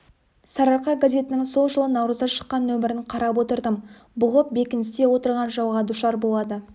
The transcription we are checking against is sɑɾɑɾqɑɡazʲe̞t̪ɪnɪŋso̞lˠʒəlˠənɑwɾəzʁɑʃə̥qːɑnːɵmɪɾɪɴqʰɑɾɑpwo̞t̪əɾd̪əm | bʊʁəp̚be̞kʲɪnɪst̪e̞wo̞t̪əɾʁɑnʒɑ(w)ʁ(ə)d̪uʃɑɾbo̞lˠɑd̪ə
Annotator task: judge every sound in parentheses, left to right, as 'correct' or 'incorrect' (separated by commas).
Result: correct, incorrect